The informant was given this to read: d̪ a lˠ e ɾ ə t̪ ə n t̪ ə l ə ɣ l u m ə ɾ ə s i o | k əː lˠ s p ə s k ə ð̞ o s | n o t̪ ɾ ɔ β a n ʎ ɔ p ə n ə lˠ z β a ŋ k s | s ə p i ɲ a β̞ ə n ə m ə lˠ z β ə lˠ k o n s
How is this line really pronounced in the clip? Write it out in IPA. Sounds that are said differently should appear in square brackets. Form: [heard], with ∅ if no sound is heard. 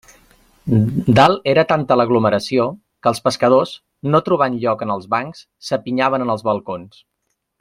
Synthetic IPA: d̪ a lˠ e ɾ ə t̪ [a] n t̪ ə l ə ɣ l u m ə ɾ ə s i o | k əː lˠ s p ə s k ə ð̞ o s | n o t̪ ɾ [u] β a n ʎ ɔ [k] ə n ə lˠ z β a ŋ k s | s ə p i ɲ a β̞ ə n ə [n] ə lˠ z β ə lˠ k o n s